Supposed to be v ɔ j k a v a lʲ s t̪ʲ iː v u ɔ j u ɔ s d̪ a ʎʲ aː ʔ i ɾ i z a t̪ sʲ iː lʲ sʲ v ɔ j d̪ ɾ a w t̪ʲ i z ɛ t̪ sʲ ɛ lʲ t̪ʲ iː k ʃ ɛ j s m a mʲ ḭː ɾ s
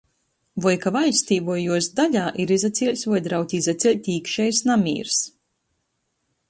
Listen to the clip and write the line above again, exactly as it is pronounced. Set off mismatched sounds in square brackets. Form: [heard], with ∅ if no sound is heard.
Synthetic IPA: v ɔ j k a v a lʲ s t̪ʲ iː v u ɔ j u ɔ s d̪ a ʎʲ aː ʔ i ɾ i z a t̪ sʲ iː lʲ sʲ v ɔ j d̪ ɾ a w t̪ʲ i z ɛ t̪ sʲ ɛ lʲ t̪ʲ iː k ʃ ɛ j s [n] a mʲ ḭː ɾ s